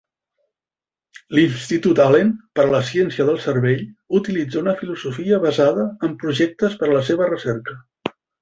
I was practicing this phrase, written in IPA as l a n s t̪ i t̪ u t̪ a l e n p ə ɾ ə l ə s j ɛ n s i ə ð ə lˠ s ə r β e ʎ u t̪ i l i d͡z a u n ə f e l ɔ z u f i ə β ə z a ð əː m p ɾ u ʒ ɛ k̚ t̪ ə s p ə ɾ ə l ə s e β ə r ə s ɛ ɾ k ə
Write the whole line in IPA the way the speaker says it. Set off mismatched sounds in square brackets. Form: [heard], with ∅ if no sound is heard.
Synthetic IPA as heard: l [i] n s t̪ i t̪ u t̪ a l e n p ə ɾ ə l ə s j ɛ n s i ə ð ə lˠ s ə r β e ʎ u t̪ i l i d͡z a u n ə f [i] l [u] z u f i ə β ə z a ð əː m p ɾ u ʒ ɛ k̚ t̪ ə s p ə ɾ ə l ə s e β ə r ə s ɛ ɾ k ə